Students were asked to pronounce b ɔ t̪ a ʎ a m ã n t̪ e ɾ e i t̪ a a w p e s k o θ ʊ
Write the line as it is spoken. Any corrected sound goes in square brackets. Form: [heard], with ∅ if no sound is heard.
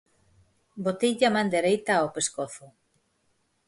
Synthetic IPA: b [o] t̪ [i] ʎ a m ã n [d̪] e ɾ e [j] t̪ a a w p e s k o θ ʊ